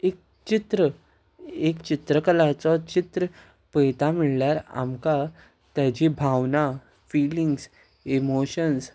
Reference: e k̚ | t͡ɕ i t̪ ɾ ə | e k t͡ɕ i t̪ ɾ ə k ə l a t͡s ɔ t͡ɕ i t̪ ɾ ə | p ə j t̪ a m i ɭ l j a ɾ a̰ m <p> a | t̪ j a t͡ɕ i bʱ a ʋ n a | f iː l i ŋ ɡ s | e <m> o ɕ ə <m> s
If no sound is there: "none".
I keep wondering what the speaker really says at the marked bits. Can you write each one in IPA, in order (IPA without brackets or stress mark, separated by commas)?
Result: k, m, n